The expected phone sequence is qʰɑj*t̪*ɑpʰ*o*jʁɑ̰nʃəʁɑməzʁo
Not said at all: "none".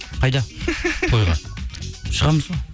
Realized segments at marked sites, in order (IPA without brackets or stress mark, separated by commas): d̪, o